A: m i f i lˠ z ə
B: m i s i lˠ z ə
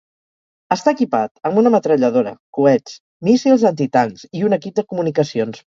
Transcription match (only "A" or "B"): B